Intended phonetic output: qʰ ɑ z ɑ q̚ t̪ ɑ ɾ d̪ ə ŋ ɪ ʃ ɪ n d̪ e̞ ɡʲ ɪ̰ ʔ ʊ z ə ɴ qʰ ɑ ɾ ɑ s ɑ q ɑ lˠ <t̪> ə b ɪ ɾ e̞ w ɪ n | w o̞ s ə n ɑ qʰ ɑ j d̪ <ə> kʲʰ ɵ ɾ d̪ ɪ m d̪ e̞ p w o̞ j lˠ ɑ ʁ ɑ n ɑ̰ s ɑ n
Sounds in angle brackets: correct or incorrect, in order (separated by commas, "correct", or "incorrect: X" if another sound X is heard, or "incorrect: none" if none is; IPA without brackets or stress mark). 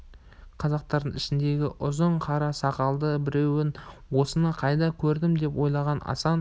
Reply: incorrect: d̪, incorrect: ɑ